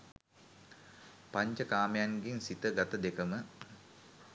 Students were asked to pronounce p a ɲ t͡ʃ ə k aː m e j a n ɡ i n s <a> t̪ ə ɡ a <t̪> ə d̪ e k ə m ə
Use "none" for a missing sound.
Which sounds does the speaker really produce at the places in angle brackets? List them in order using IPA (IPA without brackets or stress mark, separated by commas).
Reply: i, t̪